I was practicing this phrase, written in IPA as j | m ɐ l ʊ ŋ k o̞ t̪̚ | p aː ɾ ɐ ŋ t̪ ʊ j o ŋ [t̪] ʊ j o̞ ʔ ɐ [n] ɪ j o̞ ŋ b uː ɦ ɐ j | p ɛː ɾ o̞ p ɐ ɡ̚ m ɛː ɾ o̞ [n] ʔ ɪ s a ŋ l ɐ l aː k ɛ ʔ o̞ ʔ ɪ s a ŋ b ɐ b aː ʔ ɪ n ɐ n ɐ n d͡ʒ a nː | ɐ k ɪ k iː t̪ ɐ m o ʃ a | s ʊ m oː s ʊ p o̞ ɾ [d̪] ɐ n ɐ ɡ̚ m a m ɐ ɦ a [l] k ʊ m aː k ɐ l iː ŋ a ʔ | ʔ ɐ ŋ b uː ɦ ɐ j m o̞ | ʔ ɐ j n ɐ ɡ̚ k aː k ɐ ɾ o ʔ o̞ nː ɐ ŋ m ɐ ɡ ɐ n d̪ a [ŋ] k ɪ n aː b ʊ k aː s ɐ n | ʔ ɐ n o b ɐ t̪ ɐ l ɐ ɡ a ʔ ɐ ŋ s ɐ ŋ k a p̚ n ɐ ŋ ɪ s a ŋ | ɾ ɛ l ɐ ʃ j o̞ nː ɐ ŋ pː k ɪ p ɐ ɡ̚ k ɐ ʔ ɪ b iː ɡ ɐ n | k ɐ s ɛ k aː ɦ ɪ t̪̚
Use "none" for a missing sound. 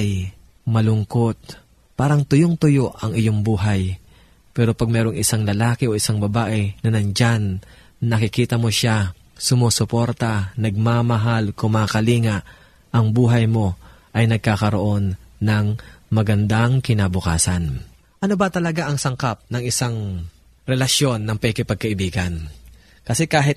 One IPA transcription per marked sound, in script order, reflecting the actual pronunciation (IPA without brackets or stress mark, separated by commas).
t̪, ŋ, ŋ, t̪, l, ŋ